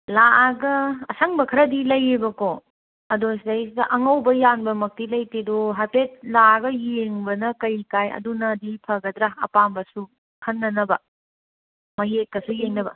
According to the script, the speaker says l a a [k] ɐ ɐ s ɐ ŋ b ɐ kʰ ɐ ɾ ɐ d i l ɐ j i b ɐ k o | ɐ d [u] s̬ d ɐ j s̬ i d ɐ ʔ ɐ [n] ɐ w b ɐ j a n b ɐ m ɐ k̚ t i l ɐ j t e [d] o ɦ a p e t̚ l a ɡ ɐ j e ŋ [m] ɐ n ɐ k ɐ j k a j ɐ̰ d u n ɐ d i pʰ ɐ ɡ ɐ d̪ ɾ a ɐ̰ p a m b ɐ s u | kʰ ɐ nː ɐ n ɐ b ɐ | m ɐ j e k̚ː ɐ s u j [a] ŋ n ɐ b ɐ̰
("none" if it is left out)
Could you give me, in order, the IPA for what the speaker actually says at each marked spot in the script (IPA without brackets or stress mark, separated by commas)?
ɡ, o, ŋ, d, b, e